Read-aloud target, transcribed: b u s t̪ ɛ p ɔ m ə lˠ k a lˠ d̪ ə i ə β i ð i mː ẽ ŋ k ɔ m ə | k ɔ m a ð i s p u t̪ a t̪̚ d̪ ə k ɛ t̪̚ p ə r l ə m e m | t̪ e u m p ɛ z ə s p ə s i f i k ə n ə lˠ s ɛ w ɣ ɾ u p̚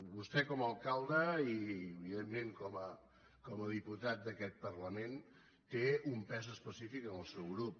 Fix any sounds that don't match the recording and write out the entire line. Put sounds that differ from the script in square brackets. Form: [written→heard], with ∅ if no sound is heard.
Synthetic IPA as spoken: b u s t̪ ɛ [p→k] ɔ m ə lˠ k a lˠ d̪ ə i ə β i ð [i→e] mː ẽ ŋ k ɔ m ə | k ɔ m [a→ə] ð i [s→∅] p u t̪ a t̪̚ d̪ ə k ɛ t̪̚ p ə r l ə m e [m→n] | t̪ e u m p ɛ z ə s p ə s i f i k ə n ə lˠ s ɛ w ɣ ɾ u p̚